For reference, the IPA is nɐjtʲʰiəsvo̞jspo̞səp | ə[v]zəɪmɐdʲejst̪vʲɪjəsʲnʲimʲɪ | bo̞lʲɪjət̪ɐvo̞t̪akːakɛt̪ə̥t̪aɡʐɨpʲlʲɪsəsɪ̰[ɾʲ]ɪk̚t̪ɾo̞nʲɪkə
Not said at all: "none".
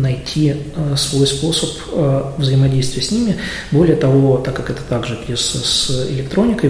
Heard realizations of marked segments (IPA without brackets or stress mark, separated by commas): v, lʲ